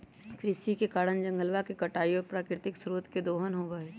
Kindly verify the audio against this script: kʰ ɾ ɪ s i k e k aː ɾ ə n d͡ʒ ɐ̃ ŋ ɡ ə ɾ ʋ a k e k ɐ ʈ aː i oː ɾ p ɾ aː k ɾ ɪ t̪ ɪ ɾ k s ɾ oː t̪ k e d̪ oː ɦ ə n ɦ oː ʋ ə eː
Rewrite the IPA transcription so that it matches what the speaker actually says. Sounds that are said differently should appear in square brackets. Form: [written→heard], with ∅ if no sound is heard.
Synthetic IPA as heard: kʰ ɾ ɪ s i k e k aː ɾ ə n d͡ʒ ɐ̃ ŋ ɡ ə [ɾ→l] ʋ a k e k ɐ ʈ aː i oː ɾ p ɾ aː k ɾ ɪ t̪ ɪ [ɾ→∅] k s ɾ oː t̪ k e d̪ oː ɦ ə n ɦ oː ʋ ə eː